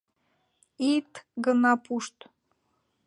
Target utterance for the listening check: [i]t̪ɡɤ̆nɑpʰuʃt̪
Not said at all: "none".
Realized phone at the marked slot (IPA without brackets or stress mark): i